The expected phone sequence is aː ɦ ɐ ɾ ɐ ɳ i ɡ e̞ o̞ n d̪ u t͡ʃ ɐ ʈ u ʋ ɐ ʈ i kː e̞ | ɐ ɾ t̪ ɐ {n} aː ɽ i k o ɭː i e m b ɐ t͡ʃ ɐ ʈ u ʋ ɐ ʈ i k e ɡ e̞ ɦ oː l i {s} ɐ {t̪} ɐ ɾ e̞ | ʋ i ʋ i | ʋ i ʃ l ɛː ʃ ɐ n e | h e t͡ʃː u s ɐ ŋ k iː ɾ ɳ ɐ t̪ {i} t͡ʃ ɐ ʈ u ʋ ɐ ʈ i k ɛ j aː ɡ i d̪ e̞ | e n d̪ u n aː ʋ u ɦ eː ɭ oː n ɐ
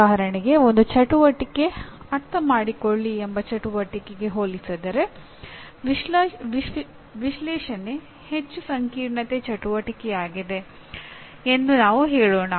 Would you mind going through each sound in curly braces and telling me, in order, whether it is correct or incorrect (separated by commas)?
incorrect, correct, incorrect, incorrect